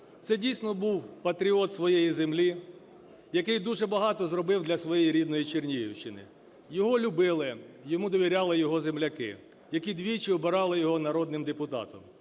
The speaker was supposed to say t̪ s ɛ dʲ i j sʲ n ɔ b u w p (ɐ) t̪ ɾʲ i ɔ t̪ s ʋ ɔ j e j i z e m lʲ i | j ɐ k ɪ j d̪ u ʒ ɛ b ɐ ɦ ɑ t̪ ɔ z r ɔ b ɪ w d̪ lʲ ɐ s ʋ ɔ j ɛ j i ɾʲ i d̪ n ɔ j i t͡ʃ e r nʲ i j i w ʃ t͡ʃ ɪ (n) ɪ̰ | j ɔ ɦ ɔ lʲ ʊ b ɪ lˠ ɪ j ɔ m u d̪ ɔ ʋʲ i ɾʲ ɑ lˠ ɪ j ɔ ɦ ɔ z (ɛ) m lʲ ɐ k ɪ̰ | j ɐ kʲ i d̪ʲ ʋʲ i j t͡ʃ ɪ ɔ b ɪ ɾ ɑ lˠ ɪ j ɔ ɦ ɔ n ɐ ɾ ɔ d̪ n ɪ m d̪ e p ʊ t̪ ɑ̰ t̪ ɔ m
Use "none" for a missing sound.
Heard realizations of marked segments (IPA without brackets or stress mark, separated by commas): ɐ, n, e